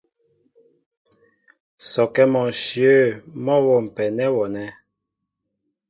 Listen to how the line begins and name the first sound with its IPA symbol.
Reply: s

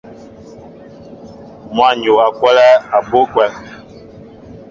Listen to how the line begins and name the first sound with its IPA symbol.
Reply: m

